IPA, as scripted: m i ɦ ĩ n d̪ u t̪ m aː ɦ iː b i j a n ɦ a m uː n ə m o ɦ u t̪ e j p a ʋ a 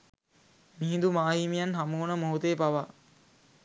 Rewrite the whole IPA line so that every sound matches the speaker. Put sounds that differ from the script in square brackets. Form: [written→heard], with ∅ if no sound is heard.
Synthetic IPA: m i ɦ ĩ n d̪ u [t̪→∅] m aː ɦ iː [b→m] i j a n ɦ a m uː n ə m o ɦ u t̪ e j p a ʋ a